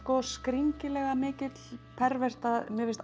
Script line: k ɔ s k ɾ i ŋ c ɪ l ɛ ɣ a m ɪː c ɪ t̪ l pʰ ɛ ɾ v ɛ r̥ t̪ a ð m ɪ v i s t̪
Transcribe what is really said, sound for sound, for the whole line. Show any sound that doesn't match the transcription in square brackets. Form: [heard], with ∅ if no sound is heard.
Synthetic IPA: k ɔ s k ɾ i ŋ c ɪ l ɛ ɣ a m ɪː c ɪ t̪ l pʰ ɛ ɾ v ɛ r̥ t̪ a ð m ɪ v [ɪ] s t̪

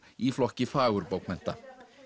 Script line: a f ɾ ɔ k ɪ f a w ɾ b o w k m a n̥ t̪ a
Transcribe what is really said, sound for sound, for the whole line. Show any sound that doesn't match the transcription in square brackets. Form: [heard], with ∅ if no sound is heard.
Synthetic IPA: [i] f [l] ɔ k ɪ f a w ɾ b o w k m [ɛ] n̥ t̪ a

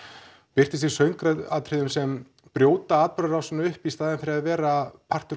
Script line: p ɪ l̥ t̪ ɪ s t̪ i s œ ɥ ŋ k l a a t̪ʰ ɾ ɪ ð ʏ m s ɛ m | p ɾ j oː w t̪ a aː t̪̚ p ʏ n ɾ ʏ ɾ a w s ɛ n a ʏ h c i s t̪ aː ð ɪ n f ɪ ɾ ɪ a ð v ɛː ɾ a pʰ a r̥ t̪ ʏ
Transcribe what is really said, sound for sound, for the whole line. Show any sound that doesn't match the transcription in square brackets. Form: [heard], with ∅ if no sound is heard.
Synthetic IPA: p ɪ [r̥] t̪ ɪ s t̪ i s œ ɥ ŋ k [ɾ] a a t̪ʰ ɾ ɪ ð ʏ m s ɛ m | p ɾ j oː w t̪ a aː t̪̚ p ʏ [∅] ɾ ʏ ɾ a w s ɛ n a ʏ h [p] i s t̪ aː ð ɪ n f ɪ ɾ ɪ a ð v ɛː ɾ a pʰ a r̥ t̪ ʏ

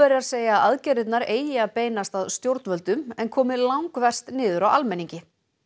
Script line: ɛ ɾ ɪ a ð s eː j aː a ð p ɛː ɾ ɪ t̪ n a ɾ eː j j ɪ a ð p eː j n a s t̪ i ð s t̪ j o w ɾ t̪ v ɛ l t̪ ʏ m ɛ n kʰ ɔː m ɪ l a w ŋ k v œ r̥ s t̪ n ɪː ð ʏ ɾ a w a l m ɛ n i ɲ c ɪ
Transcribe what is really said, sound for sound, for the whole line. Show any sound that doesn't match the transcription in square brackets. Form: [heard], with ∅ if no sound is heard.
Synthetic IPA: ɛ ɾ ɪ a ð s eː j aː a ð [c] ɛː ɾ ɪ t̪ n a ɾ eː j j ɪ a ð p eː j n a s t̪ [a] ð s t̪ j o w ɾ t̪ v [œ] l t̪ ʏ m ɛ n kʰ ɔː m ɪ l a w ŋ k v [ɛ] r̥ s t̪ n ɪː ð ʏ ɾ a w a l m ɛ n i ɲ c ɪ

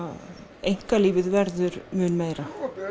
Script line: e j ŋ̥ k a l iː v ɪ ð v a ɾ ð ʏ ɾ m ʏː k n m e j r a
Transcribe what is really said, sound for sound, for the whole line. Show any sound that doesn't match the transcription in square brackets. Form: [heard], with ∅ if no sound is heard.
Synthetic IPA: e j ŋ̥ k a l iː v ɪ ð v [ɛ] ɾ ð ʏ ɾ m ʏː [∅] n m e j [ɾ] a

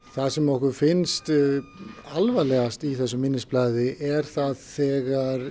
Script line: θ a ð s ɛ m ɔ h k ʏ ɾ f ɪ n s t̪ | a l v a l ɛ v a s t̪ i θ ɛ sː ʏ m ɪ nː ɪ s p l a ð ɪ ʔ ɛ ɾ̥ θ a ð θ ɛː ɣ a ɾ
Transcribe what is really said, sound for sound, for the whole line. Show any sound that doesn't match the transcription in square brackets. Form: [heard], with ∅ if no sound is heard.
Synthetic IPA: θ a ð s ɛ m ɔ h k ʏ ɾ f ɪ n s t̪ | a l v a l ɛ [ɣ] a s t̪ i θ ɛ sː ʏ m ɪ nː ɪ s p l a ð ɪ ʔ ɛ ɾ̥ θ a ð θ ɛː ɣ a ɾ

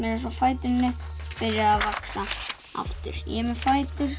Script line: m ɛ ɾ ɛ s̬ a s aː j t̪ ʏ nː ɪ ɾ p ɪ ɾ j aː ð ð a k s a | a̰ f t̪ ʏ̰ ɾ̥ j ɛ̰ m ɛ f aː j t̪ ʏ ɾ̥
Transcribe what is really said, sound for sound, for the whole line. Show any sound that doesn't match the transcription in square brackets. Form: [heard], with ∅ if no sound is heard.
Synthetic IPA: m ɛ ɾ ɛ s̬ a [f] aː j t̪ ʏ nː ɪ [∅] p ɪ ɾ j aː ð [v] a k s a | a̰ f t̪ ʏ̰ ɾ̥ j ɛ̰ m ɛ f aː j t̪ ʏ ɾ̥

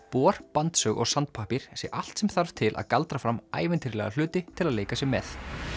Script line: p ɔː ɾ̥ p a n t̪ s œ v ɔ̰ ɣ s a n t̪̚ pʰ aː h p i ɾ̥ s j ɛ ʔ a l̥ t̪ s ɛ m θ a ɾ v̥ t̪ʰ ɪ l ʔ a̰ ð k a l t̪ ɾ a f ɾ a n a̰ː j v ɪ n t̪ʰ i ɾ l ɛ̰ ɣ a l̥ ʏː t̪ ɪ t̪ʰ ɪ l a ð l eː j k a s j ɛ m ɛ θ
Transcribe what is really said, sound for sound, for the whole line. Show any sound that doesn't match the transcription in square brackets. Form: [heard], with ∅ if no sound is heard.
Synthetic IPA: p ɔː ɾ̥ p a n t̪ s œ [ɣ] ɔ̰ ɣ s a n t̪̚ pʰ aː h p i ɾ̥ s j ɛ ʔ a l̥ t̪ s ɛ m θ a ɾ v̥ t̪ʰ ɪ l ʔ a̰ ð k a l t̪ ɾ a f ɾ a [m] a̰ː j v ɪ n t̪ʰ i ɾ l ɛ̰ ɣ a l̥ ʏː t̪ ɪ t̪ʰ ɪ l a ð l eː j k a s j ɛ m ɛ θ

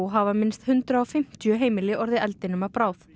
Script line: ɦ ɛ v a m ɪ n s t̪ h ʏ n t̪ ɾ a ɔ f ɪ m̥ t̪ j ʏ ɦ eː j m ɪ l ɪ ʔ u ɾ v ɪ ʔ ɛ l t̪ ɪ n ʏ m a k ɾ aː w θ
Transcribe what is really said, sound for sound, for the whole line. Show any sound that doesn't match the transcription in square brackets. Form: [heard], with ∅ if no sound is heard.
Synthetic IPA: ɦ [a] v a m ɪ n s t̪ h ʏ n t̪ ɾ a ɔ f ɪ m̥ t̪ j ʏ ɦ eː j m ɪ l ɪ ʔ [ɔ] ɾ [ð] ɪ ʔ ɛ l t̪ ɪ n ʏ m a [p] ɾ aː w θ

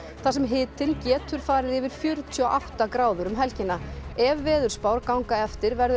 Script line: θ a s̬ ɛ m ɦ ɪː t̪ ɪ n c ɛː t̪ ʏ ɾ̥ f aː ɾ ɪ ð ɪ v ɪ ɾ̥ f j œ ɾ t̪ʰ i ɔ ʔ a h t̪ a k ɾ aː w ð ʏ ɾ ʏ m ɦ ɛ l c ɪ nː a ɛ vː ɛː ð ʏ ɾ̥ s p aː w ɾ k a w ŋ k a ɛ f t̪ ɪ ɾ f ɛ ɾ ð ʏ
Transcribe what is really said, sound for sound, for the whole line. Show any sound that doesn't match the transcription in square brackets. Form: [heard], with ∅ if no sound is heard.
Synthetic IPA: θ a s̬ ɛ m ɦ ɪː t̪ ɪ n c ɛː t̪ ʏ ɾ̥ f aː ɾ ɪ ð ɪ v ɪ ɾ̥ f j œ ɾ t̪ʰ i ɔ ʔ a h t̪ a k ɾ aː w ð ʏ ɾ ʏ m ɦ ɛ l c ɪ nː a ɛ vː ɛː ð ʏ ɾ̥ s p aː w ɾ k a w ŋ k a ɛ f t̪ ɪ ɾ [v] ɛ ɾ ð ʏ

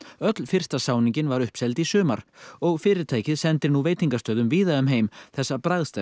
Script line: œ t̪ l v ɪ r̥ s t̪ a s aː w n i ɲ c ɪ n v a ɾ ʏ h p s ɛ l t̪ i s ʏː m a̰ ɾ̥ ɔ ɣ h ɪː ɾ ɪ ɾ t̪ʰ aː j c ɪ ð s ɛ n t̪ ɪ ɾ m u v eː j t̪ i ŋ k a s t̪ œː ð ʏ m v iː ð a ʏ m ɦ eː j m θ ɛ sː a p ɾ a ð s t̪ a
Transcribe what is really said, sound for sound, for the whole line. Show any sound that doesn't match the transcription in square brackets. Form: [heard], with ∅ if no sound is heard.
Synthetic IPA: œ t̪ l [f] ɪ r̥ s t̪ a s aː w n i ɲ c ɪ n v a ɾ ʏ h p s ɛ l t̪ i s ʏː m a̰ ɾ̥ ɔ ɣ [f] ɪː ɾ ɪ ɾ t̪ʰ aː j c ɪ ð s ɛ n t̪ ɪ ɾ [n] u v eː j t̪ i ŋ k a s t̪ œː ð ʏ m v iː ð a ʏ m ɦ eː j m θ ɛ sː a p ɾ a ð s t̪ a

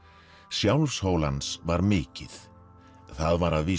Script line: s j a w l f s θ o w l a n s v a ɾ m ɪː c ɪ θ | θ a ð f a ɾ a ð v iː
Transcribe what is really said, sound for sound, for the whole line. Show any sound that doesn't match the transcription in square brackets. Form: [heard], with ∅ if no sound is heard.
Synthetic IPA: s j a w l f s [h] o w l a n s v a ɾ m ɪː c ɪ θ | θ a ð [v] a ɾ a ð v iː

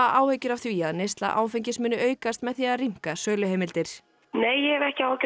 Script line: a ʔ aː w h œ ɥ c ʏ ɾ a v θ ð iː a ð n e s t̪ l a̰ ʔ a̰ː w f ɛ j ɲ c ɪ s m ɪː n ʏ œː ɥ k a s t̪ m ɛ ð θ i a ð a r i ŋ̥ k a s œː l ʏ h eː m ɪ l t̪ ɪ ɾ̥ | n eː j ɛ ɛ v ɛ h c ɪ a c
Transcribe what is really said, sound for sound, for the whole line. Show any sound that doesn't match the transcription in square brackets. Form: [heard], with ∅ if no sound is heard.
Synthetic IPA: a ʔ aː w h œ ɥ c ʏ ɾ a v θ [v] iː a ð n e s t̪ l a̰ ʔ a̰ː w f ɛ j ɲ c ɪ s m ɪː n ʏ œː ɥ k a s t̪ m ɛ ð θ i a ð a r i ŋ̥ k a s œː l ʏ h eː m ɪ l t̪ ɪ ɾ̥ | n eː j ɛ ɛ v ɛ h c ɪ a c

